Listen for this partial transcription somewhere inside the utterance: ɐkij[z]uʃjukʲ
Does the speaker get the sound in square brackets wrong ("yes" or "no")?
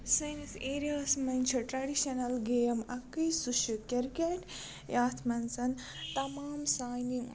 yes